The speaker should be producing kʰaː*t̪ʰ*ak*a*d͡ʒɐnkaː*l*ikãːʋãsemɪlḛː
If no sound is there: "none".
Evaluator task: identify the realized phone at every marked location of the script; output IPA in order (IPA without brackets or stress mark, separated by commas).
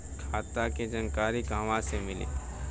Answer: t̪, e, ɾ